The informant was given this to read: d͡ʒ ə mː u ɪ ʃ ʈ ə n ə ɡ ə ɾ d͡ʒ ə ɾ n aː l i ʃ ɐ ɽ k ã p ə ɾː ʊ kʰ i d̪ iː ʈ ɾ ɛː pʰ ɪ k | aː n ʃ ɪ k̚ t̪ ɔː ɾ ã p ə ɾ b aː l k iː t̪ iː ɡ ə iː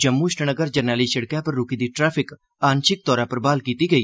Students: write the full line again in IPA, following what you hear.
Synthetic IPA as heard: d͡ʒ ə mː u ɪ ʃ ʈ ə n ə ɡ ə ɾ d͡ʒ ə ɾ n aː l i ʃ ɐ ɽ k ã p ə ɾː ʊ k i d̪ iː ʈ ɾ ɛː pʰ ɪ k | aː n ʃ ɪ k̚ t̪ ɔː ɾ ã p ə ɾ b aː l k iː t̪ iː ɡ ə iː